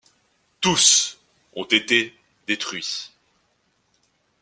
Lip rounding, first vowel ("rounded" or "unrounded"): rounded